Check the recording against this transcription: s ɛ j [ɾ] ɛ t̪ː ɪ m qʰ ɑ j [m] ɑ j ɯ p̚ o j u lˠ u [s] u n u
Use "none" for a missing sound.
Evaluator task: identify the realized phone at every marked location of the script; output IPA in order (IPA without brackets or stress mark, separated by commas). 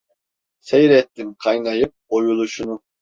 ɾ, n, ʃ